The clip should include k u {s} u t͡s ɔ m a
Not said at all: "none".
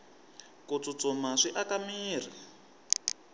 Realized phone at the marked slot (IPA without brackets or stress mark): t͡s